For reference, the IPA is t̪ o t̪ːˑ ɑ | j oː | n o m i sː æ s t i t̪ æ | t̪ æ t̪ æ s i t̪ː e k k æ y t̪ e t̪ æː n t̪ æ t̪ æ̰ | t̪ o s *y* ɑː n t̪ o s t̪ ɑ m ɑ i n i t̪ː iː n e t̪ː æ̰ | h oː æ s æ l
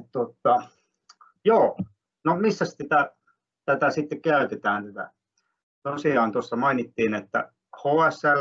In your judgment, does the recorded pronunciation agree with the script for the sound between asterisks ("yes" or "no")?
no